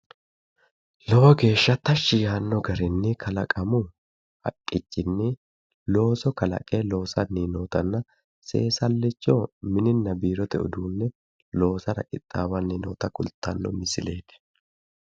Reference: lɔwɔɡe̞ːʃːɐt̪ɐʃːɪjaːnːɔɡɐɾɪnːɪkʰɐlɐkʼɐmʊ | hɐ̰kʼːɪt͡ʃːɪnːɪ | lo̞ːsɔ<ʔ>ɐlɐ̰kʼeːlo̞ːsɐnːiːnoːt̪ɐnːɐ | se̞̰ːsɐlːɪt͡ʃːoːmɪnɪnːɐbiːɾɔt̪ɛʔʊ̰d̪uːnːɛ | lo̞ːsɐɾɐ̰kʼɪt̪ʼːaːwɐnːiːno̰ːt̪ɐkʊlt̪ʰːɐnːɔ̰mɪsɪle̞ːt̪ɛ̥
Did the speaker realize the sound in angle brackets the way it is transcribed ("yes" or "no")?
no